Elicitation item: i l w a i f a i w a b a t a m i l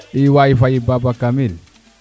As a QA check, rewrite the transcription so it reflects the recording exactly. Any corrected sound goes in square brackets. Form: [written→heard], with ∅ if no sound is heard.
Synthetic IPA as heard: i [l→∅] w a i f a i [w→b] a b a [t→k] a m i l